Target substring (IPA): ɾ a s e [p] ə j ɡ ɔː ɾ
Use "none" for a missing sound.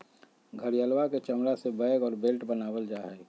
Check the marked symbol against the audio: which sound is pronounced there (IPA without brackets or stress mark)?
b